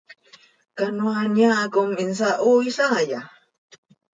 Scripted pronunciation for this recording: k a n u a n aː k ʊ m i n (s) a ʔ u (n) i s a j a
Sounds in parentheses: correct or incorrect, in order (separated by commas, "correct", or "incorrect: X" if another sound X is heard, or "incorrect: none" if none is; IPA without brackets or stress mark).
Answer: correct, incorrect: none